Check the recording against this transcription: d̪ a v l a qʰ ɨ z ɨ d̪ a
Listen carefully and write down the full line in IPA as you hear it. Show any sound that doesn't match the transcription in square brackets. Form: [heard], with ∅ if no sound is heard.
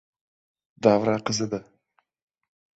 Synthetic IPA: d̪ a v [ɾ] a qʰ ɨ z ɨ d̪ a